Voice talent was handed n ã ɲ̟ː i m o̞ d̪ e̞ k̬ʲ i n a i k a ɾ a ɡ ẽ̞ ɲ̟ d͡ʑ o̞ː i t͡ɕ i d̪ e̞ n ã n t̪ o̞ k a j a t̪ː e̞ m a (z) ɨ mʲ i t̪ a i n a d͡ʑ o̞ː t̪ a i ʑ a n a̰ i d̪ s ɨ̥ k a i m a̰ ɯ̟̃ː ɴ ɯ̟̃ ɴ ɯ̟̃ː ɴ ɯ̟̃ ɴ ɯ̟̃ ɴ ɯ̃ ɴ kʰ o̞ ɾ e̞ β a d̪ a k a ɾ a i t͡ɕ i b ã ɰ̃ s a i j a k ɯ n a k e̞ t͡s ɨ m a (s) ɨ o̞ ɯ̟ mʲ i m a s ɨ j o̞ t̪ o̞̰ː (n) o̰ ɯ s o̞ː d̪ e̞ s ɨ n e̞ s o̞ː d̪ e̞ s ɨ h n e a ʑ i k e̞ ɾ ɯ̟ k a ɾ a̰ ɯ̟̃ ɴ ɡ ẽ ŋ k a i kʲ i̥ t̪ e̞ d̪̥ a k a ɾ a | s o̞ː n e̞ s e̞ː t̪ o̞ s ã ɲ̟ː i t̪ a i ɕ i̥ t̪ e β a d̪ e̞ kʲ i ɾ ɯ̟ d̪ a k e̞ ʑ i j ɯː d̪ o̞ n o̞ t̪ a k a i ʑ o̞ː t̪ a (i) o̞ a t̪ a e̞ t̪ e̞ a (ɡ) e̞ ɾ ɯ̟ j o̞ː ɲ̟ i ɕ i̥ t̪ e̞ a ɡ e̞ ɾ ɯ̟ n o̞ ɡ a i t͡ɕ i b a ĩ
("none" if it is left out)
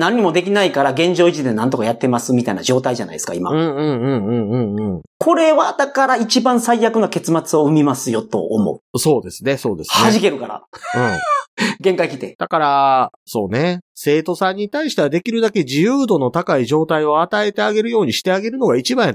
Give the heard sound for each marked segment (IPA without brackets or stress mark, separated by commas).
s, t͡s, m, i, ɡ